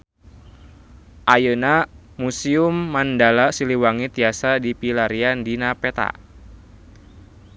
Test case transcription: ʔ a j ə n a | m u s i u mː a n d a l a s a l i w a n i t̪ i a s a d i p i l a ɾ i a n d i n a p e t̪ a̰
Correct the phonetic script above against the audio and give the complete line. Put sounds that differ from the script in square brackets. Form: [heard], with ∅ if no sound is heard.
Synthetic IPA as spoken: ʔ a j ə n a | m u s i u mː a n d a l a s [i] l i w a [ŋ] i t̪ i a s a d i p i l a ɾ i a n d i n a p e t̪ a̰